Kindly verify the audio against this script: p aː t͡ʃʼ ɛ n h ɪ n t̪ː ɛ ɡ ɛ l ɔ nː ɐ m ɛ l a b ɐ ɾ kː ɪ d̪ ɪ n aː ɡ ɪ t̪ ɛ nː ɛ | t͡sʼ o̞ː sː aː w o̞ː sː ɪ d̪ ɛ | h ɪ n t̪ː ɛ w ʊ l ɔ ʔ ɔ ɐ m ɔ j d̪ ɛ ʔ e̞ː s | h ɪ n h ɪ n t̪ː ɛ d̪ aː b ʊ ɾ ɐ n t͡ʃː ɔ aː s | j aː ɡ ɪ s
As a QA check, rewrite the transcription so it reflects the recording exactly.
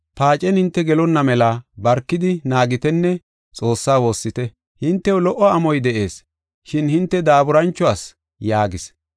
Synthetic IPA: p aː t͡ʃʼ ɛ n h ɪ n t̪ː ɛ ɡ ɛ l ɔ nː ɐ m ɛ l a b ɐ ɾ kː ɪ d̪ ɪ n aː ɡ ɪ t̪ ɛ nː ɛ | t͡sʼ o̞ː sː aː w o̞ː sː ɪ t̪ ɛ | h ɪ n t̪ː ɛ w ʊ l ɔ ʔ ɔ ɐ m ɔ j d̪ ɛ ʔ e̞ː s | ʃ ɪ n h ɪ n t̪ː ɛ d̪ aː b ʊ ɾ ɐ n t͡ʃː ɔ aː s | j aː ɡ ɪ s